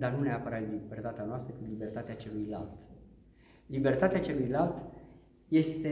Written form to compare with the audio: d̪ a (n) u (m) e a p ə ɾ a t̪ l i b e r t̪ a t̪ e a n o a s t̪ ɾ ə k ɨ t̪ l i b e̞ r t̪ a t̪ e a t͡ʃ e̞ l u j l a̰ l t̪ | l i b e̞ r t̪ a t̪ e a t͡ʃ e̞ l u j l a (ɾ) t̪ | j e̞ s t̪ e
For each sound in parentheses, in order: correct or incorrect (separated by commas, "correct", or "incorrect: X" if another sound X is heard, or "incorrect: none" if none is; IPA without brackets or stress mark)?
correct, incorrect: n, incorrect: l